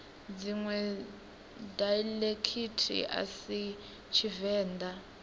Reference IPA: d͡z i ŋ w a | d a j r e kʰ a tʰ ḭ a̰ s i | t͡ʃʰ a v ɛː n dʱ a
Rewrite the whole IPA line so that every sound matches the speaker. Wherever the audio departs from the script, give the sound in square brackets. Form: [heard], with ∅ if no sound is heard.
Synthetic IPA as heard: d͡z i ŋ w [ɛ] | d a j [l] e kʰ [i] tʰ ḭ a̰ s i | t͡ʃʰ [i] v ɛː n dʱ a